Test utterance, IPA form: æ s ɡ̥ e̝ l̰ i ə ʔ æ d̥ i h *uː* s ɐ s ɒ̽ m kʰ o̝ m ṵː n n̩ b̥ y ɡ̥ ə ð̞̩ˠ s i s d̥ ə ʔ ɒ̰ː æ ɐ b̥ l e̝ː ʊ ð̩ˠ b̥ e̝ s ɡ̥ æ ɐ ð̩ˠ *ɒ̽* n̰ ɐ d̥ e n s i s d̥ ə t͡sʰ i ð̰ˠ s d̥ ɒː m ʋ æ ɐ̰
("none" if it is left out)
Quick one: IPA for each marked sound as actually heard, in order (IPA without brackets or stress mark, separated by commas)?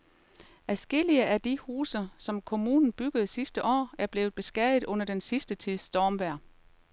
uː, ɔ̽